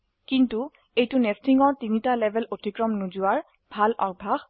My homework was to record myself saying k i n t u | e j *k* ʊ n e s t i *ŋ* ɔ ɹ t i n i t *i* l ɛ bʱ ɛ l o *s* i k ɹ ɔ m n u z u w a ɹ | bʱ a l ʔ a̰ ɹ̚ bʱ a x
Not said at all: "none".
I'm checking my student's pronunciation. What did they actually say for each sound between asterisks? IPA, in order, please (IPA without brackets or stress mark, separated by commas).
t, ŋ, a, t